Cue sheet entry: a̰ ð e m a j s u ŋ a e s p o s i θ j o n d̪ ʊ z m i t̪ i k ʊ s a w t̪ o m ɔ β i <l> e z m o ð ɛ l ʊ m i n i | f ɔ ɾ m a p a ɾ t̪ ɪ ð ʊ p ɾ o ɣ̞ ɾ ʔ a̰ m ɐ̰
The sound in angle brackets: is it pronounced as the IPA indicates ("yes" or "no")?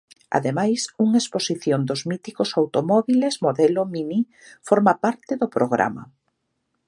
yes